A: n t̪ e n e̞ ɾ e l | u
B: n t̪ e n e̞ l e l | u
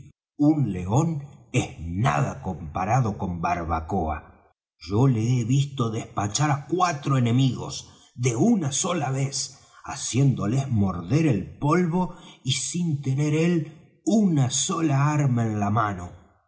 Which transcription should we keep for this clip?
A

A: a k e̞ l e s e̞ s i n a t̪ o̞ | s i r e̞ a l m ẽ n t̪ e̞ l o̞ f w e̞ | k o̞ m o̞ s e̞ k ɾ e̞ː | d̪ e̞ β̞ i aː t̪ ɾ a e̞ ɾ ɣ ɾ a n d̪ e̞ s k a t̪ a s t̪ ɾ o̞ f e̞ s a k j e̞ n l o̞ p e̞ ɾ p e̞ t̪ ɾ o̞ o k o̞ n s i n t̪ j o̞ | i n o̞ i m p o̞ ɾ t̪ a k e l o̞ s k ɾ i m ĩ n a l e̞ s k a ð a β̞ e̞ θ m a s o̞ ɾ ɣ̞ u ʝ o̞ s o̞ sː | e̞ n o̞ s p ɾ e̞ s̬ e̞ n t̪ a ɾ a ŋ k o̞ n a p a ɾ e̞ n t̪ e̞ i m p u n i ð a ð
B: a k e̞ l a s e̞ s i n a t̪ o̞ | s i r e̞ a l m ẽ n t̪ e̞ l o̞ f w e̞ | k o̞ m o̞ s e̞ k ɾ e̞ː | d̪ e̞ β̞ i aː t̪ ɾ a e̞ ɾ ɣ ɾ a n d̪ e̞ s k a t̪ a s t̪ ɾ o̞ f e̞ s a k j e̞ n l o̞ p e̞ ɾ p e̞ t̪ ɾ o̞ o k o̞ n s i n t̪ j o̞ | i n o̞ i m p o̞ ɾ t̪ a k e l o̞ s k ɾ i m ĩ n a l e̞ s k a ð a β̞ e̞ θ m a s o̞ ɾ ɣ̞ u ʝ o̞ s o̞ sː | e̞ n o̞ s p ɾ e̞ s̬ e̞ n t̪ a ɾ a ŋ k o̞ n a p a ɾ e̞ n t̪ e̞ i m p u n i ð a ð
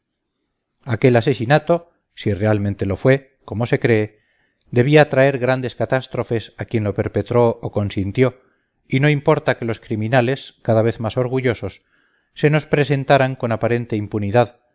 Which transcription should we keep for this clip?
B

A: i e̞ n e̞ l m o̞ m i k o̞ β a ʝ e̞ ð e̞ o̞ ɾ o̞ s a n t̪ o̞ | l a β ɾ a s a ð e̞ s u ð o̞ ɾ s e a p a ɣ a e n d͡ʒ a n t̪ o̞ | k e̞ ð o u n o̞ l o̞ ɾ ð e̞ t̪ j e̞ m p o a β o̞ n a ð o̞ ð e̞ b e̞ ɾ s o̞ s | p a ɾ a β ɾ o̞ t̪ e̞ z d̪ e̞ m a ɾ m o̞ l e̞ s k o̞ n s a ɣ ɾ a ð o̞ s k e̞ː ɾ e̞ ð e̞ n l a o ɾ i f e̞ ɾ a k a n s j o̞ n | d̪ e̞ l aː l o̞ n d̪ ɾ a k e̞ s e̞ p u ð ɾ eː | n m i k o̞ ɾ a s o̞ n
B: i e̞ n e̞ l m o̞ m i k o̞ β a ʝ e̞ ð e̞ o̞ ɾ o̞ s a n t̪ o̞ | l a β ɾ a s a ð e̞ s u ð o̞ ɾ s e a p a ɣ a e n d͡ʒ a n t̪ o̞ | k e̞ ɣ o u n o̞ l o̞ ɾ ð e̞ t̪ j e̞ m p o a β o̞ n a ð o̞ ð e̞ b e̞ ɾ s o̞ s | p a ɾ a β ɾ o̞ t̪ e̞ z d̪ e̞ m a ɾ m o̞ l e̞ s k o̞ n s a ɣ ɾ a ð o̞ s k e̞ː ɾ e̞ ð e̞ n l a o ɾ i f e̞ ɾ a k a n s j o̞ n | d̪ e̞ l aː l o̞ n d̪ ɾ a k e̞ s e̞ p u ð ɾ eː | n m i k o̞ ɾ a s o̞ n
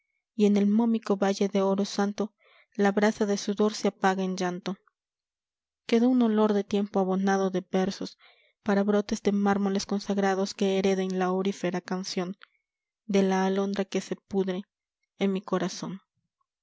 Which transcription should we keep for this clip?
A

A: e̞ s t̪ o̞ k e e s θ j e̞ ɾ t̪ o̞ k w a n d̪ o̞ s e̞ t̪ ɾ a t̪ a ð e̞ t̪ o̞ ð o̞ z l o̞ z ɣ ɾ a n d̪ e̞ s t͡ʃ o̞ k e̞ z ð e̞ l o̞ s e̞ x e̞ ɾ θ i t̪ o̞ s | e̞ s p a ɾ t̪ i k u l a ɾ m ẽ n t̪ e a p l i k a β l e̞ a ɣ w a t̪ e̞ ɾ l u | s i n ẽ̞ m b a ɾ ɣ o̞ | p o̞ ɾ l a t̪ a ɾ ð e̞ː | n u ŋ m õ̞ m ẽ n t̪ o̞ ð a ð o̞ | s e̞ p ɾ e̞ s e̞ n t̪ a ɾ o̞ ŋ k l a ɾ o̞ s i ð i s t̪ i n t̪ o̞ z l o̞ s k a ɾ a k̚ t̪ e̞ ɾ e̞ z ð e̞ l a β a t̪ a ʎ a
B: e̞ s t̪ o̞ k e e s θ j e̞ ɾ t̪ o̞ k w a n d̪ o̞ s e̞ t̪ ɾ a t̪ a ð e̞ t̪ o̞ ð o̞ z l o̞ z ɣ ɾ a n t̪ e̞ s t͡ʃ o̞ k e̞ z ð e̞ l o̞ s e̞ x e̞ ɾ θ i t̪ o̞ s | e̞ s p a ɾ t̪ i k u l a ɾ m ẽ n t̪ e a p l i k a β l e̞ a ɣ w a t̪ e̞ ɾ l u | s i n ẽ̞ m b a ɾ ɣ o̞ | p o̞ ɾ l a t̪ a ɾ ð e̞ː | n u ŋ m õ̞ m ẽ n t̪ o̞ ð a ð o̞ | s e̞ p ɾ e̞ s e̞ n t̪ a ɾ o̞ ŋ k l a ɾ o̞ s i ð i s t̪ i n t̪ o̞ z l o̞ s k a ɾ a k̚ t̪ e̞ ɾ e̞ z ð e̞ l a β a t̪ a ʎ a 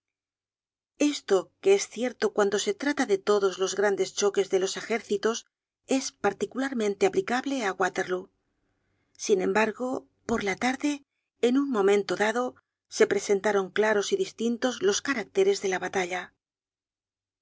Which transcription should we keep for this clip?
A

